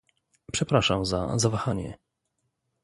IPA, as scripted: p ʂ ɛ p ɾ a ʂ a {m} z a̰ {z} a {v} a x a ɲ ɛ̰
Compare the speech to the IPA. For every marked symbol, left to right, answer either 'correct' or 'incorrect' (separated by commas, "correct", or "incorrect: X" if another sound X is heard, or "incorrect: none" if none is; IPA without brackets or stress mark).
correct, correct, correct